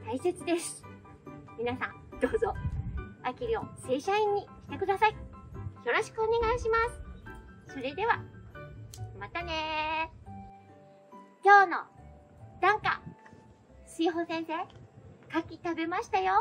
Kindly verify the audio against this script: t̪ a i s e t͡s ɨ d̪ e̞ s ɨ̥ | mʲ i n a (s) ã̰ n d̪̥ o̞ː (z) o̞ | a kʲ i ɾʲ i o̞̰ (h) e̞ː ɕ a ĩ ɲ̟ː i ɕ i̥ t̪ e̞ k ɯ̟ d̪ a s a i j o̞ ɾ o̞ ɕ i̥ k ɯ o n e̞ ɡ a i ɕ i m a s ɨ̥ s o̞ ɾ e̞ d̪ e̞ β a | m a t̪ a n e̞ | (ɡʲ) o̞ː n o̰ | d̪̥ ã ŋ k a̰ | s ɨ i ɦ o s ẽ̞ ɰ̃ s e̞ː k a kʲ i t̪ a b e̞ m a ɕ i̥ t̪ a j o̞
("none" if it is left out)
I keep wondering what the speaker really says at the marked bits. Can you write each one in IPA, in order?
s, z, s, kʲ

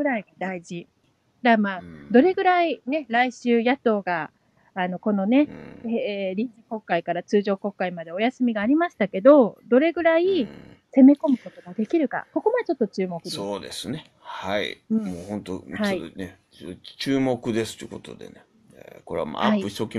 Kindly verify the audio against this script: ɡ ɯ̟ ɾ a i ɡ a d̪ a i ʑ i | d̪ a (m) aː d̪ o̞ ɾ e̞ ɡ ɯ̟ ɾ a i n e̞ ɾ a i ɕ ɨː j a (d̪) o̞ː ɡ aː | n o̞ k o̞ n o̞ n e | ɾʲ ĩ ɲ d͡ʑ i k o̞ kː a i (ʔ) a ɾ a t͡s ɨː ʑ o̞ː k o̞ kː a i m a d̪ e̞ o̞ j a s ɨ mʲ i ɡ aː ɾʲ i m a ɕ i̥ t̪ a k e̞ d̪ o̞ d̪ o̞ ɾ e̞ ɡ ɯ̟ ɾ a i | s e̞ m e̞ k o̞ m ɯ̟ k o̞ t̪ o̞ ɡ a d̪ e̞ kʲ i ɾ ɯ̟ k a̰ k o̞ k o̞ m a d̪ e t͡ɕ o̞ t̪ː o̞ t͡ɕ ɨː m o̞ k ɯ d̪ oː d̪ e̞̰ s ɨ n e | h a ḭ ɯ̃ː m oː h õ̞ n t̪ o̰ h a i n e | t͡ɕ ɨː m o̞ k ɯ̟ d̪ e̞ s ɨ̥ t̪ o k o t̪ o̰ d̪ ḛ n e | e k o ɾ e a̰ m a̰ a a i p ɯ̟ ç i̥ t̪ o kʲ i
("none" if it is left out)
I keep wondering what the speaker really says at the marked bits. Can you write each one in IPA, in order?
m, t̪, k

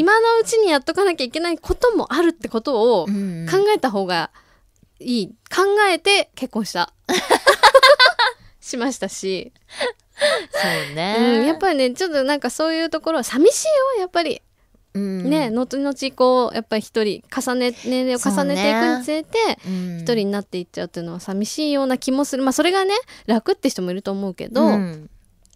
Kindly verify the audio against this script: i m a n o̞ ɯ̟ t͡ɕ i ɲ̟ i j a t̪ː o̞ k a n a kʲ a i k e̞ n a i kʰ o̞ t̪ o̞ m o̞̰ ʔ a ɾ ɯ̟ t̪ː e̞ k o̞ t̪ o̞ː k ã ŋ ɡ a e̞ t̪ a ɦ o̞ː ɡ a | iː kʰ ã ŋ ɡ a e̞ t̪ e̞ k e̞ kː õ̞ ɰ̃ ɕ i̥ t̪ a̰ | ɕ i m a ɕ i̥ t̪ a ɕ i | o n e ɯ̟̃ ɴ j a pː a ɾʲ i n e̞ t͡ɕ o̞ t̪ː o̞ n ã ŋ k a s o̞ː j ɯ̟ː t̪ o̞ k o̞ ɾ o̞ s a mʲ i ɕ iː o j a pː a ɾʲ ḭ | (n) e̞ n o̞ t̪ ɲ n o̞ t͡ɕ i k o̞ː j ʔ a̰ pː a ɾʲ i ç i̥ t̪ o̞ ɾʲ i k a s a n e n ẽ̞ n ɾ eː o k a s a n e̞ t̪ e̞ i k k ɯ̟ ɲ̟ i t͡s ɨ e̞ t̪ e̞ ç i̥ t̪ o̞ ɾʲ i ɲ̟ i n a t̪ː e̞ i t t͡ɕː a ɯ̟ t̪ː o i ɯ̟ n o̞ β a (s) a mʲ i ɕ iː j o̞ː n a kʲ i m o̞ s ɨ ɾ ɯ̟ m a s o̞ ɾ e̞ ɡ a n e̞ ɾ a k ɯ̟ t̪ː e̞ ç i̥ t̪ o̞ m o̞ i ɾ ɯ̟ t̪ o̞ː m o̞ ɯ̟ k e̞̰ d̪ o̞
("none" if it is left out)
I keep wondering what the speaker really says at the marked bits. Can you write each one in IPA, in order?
n, s

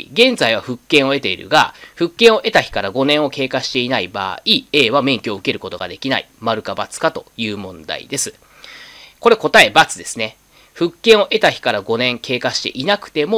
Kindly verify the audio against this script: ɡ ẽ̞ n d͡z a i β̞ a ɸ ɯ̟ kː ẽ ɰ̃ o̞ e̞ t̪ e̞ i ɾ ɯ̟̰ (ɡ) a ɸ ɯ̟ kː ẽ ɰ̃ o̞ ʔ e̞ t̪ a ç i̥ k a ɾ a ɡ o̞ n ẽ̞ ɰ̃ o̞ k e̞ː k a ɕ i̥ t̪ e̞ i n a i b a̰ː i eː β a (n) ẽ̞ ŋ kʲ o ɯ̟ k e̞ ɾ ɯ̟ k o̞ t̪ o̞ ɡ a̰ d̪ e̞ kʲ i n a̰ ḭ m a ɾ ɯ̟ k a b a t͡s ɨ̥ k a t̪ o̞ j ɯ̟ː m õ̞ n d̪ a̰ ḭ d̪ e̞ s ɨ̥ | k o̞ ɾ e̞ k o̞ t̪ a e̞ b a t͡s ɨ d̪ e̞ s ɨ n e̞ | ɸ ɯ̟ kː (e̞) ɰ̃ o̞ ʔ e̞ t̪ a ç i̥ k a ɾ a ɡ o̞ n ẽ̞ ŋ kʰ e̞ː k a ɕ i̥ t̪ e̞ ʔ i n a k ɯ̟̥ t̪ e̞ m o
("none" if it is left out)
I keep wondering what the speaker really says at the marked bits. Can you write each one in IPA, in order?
ɡ, m, ẽ̞

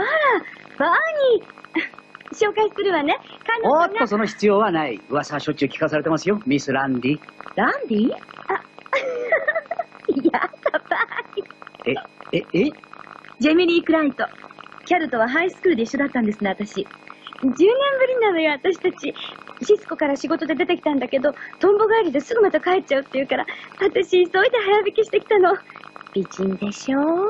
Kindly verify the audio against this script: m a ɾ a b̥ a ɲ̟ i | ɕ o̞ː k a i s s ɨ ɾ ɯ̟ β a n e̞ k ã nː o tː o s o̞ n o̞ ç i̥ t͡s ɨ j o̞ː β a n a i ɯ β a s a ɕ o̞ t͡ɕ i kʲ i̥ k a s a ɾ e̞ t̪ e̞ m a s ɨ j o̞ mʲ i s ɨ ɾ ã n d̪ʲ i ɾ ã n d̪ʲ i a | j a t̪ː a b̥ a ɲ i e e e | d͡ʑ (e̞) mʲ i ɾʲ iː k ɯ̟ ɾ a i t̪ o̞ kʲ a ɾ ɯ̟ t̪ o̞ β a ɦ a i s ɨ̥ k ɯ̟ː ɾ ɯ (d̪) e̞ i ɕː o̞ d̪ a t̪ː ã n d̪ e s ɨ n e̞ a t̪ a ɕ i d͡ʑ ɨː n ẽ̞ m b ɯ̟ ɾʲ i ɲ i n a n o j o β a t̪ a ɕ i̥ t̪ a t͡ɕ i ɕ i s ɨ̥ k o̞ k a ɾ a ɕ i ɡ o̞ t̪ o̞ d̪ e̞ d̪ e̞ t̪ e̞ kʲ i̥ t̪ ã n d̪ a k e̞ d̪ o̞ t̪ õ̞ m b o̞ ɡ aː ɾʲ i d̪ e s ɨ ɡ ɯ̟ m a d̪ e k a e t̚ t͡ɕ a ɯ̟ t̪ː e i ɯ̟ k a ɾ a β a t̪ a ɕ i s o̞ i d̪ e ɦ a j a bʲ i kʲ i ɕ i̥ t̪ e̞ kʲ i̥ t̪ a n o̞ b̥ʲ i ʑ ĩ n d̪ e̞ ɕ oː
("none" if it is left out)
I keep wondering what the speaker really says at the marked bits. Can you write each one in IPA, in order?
e̞, d̪

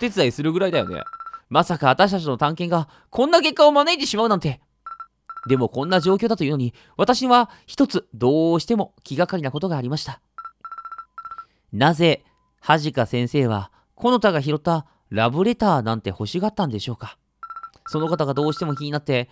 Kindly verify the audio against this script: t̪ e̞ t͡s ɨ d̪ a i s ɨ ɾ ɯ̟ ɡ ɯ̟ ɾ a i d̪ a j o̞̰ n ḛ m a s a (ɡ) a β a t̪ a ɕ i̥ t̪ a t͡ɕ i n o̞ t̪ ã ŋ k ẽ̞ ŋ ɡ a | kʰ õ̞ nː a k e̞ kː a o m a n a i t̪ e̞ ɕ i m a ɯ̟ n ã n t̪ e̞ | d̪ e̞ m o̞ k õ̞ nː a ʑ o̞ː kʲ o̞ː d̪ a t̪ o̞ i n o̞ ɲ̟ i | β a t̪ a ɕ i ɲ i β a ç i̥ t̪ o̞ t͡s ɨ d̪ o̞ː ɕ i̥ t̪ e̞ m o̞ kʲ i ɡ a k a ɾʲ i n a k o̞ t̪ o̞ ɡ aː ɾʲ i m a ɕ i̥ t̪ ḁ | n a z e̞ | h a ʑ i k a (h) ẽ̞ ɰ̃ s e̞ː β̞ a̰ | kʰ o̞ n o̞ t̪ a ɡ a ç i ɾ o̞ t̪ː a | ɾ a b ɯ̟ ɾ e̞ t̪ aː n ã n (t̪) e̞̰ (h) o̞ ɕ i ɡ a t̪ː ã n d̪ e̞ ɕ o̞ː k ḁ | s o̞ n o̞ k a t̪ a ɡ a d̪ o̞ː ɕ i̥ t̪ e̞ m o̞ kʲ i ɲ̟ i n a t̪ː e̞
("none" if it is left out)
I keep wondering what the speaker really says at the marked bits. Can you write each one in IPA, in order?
k, s, t̪, h

